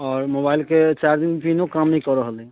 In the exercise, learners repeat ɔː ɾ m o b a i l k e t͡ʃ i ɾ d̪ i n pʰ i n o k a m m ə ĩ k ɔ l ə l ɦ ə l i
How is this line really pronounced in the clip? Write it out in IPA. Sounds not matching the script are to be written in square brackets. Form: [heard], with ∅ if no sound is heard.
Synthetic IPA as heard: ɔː ɾ m o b a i l k e t͡ʃ [a] ɾ d̪ i n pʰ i n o k a m [n] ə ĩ k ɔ [ɾ] ə [∅] ɦ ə l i